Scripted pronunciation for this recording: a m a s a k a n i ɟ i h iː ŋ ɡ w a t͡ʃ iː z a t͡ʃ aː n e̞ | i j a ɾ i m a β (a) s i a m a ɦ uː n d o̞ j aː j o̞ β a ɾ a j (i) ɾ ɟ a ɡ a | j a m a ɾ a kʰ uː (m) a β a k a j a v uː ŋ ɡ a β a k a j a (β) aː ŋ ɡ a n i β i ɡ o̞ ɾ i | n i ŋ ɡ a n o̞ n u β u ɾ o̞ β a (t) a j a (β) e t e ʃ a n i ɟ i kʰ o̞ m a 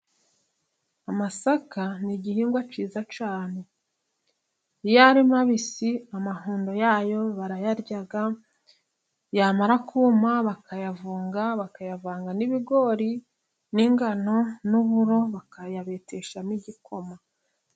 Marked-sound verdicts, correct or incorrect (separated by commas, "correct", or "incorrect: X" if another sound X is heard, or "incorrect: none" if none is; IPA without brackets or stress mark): incorrect: i, incorrect: a, correct, incorrect: v, incorrect: k, correct